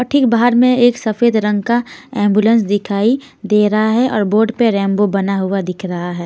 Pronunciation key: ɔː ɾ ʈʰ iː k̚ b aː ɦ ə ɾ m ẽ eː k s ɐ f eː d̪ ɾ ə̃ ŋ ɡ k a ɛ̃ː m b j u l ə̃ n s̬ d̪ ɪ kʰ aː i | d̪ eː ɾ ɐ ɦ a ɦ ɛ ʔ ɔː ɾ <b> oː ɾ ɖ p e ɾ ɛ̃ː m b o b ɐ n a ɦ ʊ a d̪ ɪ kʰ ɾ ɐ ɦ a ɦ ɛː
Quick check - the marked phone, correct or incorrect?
correct